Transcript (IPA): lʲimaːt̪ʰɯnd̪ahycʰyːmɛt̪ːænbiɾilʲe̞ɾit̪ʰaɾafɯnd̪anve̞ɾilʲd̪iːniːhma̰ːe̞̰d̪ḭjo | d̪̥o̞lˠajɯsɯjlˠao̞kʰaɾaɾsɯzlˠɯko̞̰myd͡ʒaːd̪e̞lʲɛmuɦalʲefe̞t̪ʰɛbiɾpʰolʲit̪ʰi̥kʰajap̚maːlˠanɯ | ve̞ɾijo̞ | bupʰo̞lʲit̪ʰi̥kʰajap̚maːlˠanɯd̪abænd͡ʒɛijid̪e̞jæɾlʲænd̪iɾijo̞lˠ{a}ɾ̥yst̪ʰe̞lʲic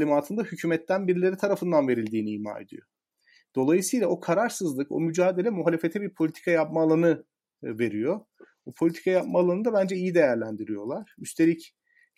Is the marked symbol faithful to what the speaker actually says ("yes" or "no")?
yes